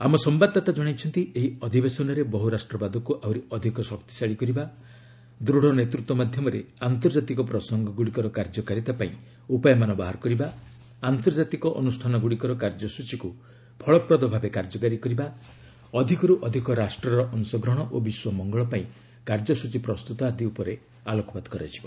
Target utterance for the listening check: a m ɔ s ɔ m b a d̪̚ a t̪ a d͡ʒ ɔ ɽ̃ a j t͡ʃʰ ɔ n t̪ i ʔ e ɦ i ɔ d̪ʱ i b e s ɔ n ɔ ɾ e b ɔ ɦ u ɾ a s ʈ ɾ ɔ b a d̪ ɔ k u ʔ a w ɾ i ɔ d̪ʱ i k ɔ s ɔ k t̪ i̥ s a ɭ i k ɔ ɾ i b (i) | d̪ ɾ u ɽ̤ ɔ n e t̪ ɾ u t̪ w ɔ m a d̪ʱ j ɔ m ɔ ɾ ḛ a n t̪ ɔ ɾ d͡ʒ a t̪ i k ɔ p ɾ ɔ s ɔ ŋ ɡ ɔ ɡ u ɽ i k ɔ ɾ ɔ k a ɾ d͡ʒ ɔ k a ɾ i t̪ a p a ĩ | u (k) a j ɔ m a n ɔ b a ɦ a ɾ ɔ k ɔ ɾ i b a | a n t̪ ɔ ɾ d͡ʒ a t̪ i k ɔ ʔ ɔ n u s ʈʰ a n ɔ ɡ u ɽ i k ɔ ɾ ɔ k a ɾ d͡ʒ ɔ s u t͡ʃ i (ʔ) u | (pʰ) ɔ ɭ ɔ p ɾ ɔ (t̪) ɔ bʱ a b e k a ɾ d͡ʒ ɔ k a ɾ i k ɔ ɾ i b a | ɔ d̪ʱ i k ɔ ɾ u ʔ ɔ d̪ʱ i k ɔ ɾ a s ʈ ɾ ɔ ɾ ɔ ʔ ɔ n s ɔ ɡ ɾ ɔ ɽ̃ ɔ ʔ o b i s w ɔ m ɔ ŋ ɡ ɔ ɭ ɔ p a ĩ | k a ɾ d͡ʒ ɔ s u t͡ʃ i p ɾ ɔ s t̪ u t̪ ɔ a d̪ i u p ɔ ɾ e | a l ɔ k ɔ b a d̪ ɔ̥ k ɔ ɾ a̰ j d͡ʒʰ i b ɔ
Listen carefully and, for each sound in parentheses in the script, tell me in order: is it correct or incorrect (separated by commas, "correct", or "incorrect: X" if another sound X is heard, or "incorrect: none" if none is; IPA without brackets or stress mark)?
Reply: incorrect: a, incorrect: p, incorrect: k, correct, incorrect: d̪